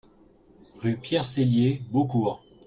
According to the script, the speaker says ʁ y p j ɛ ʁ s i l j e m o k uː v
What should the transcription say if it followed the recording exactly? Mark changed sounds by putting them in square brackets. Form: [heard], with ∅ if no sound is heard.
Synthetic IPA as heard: ʁ y p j ɛ ʁ s [e] l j e [b] o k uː [ʁ]